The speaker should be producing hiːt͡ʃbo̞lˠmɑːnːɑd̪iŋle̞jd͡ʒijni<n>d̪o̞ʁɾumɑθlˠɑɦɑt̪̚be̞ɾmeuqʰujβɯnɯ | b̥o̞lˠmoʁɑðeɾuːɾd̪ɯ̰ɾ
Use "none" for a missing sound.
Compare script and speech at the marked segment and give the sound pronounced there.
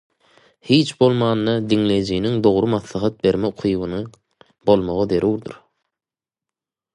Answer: ŋ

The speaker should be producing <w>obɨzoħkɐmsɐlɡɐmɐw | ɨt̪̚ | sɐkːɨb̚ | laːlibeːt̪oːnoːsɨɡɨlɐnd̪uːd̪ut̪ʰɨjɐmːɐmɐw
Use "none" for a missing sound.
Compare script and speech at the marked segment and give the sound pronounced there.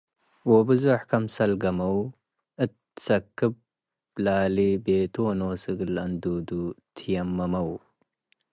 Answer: w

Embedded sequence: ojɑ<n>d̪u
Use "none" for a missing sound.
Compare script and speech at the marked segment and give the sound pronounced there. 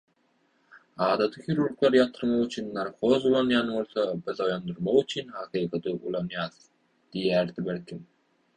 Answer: n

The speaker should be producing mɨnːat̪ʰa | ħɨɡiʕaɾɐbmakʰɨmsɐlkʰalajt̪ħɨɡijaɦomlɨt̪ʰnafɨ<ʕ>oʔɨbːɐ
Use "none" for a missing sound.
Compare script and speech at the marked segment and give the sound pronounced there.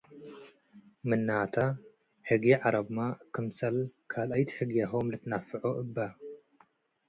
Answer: ʕ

